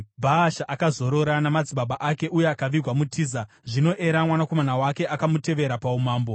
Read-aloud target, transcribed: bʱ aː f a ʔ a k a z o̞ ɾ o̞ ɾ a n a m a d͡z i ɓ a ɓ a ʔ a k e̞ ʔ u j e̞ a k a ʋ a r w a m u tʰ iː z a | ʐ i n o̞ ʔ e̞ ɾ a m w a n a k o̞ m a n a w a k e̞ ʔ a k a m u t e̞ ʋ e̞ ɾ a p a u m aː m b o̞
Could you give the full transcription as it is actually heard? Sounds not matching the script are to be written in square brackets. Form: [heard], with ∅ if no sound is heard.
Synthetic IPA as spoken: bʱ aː [ʃ] a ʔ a k a z o̞ ɾ o̞ ɾ a n a m a d͡z i ɓ a ɓ a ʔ a k e̞ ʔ u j e̞ a k a ʋ [i] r w a m u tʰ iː z a | ʐ i n o̞ ʔ e̞ ɾ a m w a n a k o̞ m a n a w a k e̞ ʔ a k a m u t e̞ ʋ e̞ ɾ a p a u m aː m b o̞